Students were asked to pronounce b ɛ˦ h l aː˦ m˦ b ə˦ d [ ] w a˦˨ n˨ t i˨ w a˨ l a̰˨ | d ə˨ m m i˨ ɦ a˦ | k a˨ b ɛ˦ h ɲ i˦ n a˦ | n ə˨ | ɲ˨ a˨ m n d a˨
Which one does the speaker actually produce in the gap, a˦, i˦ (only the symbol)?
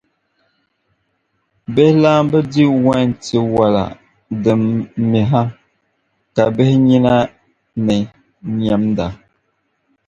i˦